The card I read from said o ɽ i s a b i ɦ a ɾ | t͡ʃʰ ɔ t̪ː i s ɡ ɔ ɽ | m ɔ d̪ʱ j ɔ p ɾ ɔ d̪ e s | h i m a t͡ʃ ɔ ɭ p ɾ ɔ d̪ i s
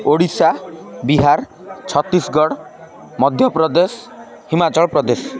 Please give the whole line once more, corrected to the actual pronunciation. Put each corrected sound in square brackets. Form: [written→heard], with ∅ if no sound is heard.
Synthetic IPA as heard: o ɽ i s a b i ɦ a ɾ | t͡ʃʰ ɔ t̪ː i s ɡ ɔ ɽ | m ɔ d̪ʱ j ɔ p ɾ ɔ d̪ e s | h i m a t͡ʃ ɔ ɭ p ɾ ɔ d̪ [i→e] s